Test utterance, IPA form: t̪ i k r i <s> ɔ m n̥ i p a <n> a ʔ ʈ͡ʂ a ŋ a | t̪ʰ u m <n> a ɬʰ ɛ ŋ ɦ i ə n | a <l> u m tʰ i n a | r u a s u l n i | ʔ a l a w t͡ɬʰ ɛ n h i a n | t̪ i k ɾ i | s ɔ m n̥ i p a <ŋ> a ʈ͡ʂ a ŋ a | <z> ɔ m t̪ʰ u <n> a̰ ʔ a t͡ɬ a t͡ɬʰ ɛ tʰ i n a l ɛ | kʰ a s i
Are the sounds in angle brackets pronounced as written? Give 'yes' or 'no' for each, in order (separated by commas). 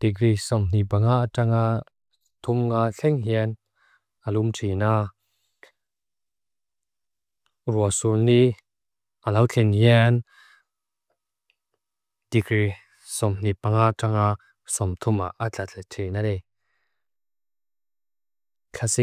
yes, no, no, yes, yes, no, no